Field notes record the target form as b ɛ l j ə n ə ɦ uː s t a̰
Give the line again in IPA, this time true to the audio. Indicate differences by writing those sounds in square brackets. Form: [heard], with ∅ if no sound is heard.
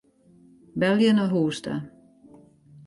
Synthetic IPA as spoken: b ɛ l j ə n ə ɦ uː s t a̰